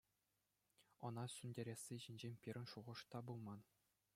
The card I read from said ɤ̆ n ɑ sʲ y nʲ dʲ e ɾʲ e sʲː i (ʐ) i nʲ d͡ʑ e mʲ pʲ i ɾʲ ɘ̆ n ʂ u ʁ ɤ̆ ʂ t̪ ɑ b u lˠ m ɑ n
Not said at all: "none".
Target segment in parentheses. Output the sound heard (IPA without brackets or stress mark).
ʑ